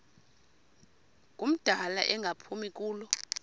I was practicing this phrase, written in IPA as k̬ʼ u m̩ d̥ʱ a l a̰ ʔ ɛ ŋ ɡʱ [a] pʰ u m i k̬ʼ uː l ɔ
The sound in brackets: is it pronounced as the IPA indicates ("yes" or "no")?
yes